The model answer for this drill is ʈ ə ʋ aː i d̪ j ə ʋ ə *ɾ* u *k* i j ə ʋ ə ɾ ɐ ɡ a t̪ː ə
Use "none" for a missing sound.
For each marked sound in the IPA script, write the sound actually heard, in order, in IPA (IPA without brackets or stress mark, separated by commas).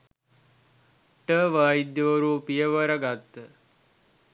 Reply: ɾ, p